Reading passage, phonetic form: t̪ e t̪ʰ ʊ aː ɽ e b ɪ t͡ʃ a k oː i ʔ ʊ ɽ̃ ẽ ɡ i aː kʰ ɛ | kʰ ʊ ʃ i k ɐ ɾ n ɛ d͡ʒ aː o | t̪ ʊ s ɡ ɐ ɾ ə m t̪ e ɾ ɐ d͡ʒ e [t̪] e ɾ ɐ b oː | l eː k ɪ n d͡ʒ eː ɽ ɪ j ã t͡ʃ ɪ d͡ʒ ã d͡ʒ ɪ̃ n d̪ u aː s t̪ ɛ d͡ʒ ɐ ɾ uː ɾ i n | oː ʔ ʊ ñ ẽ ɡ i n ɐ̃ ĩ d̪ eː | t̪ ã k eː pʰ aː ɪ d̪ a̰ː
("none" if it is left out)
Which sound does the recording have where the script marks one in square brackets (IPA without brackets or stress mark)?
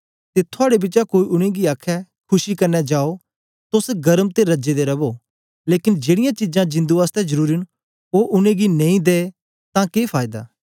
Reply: d̪